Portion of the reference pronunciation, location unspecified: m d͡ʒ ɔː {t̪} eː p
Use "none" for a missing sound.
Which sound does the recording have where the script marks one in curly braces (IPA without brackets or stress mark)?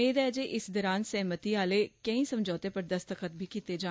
t̪